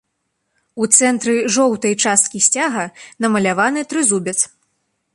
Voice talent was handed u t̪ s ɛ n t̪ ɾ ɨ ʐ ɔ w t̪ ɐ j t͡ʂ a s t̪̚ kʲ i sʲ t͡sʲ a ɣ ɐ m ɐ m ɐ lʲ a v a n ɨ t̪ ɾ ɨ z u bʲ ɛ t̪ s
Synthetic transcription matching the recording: u t̪ s ɛ n t̪ ɾ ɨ ʐ ɔ w t̪ ɐ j t͡ʂ a s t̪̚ kʲ i sʲ t͡sʲ a ɣ ɐ n ɐ m ɐ lʲ a v a n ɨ t̪ ɾ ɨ z u bʲ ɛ t̪ s

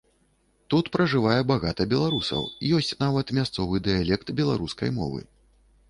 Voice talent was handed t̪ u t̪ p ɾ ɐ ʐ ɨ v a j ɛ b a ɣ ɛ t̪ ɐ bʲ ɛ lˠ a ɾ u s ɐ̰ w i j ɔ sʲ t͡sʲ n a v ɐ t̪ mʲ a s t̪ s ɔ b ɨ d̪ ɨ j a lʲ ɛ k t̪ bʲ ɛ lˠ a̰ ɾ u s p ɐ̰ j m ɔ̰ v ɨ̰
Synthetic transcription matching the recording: t̪ u t̪ p ɾ ɐ ʐ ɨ v a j ɛ b a ɣ a t̪ ɐ bʲ ɛ lˠ a ɾ u s ɐ̰ w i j ɔ sʲ t͡sʲ n a v ɐ t̪ mʲ a s t̪ s ɔ v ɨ d̪ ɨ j a lʲ ɛ k t̪ bʲ ɛ lˠ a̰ ɾ u s k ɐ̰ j m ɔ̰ v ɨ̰

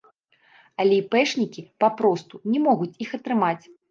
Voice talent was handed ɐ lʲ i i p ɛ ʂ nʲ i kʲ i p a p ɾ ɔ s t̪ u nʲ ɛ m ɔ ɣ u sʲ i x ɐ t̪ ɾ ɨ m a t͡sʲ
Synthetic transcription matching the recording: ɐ lʲ ɛ i p ɛ ʂ nʲ i kʲ i p a p ɾ ɔ s t̪ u nʲ ɛ m ɔ ɣ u t͡sʲ i x ɐ t̪ ɾ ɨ m a t͡sʲ

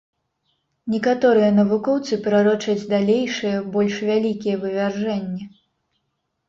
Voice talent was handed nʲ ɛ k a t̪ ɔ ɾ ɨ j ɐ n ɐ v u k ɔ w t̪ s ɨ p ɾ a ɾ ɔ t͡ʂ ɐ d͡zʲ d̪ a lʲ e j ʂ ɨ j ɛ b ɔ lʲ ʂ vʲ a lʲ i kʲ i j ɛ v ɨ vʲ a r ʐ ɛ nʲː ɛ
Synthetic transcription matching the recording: nʲ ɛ k a t̪ ɔ ɾ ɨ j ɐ n ɐ v u k ɔ w t̪ s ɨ p ɾ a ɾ ɔ t͡ʂ ɐ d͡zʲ d̪ a lʲ e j ʂ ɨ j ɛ b ɔ lʲ ʂ vʲ a lʲ i kʲ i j ɛ v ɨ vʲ a r ʐ ɛ nʲː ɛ

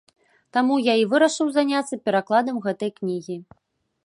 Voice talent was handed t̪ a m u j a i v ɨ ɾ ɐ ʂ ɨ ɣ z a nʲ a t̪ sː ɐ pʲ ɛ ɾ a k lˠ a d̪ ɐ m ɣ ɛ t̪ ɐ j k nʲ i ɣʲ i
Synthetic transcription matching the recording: t̪ a m u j a i v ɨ ɾ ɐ ʂ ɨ w z a nʲ a t̪ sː ɐ pʲ ɛ ɾ a k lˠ a d̪ ɐ m ɣ ɛ t̪ ɐ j k nʲ i ɣʲ i

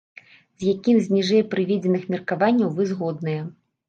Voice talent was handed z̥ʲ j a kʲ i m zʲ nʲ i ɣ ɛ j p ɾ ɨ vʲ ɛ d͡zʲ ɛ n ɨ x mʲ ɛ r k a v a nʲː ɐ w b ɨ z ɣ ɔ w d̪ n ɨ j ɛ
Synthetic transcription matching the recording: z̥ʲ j a kʲ i m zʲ nʲ i ʐ ɛ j p ɾ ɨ vʲ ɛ d͡zʲ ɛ n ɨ x mʲ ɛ r k a v a nʲː ɐ w v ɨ z ɣ ɔ d̪ n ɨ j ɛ

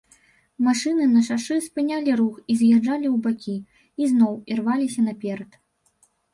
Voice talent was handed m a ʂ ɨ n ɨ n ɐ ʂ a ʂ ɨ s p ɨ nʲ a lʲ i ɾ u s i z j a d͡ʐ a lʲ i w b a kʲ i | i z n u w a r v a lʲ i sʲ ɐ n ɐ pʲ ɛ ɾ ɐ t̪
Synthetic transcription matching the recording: m a ʂ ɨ n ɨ n ɐ ʂ a ʂ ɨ s p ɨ nʲ a lʲ i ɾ u x i z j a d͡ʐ a lʲ i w b a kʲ i | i z n ɔ w i r v a lʲ i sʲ ɐ n ɐ pʲ ɛ ɾ ɐ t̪

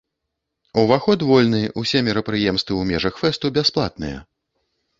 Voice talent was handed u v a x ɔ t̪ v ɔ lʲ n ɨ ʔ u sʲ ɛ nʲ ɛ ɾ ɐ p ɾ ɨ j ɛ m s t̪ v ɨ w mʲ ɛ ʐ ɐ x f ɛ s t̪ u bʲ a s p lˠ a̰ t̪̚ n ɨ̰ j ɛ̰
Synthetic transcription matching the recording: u v a x ɔ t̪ v ɔ lʲ n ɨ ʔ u sʲ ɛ mʲ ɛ ɾ ɐ p ɾ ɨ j ɛ m s t̪ v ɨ w mʲ ɛ ʐ ɐ x f ɛ s t̪ u bʲ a s p lˠ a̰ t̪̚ n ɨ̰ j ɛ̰

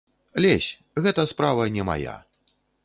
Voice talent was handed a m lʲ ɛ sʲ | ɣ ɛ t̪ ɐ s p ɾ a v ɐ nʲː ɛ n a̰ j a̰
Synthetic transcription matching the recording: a lʲ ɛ sʲ | ɣ ɛ t̪ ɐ s p ɾ a v ɐ nʲ ɛ m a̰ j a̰

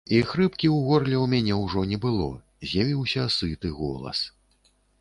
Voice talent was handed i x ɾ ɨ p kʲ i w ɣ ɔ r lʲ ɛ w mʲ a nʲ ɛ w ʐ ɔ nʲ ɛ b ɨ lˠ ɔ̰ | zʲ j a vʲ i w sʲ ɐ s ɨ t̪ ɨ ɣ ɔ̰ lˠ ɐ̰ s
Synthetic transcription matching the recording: i x ɾ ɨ p kʲ i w ɣ ɔ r lʲ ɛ w mʲ a nʲ ɛ w ʐ ɔ nʲ ɛ b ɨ lˠ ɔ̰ | zʲ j a vʲ i w sʲ ɐ s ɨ t̪ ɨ ɣ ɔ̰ lˠ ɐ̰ s

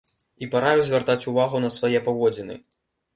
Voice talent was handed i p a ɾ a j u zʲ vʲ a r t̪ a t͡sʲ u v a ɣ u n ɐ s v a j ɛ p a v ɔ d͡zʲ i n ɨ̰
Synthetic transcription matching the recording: i p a ɾ a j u zʲ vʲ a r t̪ a t͡sʲ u v a ɣ u n ɐ s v a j ɛ p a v ɔ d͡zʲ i n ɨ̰

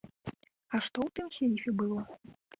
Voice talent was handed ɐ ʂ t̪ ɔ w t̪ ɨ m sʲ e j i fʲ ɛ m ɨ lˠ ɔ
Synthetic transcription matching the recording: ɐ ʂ t̪ ɔ w t̪ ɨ m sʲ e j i fʲ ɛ b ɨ lˠ ɔ

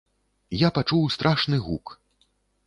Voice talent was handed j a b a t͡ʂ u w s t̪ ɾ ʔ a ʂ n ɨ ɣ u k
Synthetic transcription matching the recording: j a p a t͡ʂ u w s t̪ ɾ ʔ a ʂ n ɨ ɣ u k

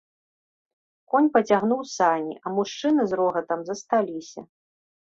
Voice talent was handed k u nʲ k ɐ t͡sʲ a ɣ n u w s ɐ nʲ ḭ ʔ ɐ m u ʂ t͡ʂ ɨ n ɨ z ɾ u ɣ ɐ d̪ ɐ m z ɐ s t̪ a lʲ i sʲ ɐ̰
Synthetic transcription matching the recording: k ɔ nʲ p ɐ t͡sʲ a ɣ n u w s a nʲ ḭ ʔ ɐ m u ʂ t͡ʂ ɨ n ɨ z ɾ ɔ ɣ ɐ t̪ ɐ m z ɐ s t̪ a lʲ i sʲ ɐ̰

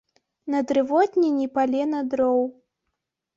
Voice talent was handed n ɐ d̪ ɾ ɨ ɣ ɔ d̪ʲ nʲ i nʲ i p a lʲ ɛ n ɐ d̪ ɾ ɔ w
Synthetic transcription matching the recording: n ɐ d̪ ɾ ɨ v ɔ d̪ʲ nʲ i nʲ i p a lʲ ɛ n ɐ d̪ ɾ ɔ w

